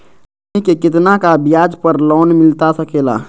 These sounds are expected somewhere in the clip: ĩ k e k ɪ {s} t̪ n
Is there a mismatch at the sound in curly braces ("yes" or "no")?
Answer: yes